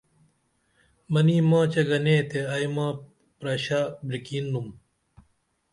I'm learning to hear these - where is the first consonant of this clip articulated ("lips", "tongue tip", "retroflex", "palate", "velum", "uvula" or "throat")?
lips